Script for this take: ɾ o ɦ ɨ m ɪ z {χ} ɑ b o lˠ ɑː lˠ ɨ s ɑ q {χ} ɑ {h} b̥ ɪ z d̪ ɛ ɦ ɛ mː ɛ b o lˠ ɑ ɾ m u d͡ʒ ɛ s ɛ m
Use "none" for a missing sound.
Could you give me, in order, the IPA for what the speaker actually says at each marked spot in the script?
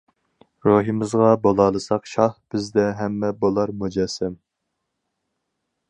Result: ʁ, ʃ, h

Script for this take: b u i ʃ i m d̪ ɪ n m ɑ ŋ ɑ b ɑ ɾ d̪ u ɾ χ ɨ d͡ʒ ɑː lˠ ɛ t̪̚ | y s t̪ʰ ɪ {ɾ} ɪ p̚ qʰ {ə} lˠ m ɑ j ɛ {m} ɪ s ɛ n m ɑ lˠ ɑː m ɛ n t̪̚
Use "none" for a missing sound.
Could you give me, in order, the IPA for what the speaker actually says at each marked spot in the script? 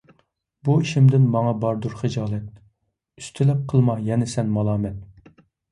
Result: l, ə, n

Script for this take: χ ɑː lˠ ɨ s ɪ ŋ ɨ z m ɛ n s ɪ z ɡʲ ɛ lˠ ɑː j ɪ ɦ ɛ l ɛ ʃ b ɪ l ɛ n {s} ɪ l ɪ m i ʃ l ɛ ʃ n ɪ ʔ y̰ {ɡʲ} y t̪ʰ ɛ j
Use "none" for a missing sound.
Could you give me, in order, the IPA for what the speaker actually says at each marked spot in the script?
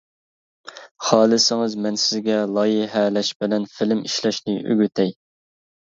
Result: f, ɡʲ

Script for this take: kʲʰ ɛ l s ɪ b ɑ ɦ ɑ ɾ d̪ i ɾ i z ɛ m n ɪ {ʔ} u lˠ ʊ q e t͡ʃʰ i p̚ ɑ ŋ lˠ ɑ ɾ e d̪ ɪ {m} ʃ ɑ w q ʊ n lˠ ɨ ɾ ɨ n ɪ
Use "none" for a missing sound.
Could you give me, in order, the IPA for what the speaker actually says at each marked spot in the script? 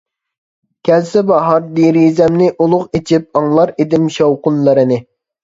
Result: ʔ, m

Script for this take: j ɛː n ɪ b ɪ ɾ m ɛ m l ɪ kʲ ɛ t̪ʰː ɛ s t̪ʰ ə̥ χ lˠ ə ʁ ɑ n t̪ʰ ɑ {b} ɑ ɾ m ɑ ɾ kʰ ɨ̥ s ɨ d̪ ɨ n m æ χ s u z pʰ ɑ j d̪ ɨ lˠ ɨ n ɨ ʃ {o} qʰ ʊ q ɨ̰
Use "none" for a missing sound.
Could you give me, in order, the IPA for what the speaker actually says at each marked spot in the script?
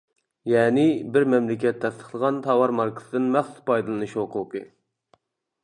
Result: w, o

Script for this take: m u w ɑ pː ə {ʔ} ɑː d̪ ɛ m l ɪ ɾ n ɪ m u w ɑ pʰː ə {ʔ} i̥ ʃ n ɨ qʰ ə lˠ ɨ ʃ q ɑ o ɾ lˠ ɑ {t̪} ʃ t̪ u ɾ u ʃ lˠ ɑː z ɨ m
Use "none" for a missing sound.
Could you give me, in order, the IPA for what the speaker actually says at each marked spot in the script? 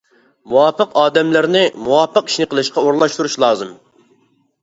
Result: q, q, none

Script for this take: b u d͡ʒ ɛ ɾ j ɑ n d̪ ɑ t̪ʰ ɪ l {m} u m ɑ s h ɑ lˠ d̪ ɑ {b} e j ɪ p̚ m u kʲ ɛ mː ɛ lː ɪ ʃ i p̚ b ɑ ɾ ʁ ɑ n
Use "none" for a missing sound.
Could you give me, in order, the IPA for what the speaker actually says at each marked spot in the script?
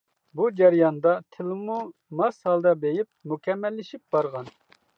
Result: m, b

